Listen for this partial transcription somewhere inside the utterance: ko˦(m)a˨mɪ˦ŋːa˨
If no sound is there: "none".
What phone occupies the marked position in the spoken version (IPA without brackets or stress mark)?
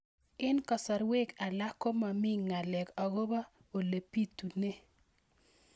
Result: m